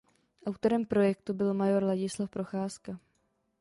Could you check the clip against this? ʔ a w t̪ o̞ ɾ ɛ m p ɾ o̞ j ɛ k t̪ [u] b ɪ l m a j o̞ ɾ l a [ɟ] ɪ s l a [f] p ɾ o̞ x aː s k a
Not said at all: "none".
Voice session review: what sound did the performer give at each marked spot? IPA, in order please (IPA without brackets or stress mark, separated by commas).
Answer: u, ɟ, f